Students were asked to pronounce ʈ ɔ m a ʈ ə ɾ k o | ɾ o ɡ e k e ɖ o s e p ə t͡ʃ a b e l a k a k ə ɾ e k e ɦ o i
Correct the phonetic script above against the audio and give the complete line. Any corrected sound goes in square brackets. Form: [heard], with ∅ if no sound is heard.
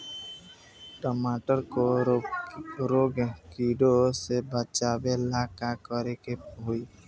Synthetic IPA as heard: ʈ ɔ m a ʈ ə ɾ k o | ɾ o ɡ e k [i] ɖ o s e [b] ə t͡ʃ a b e l a k a k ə ɾ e k e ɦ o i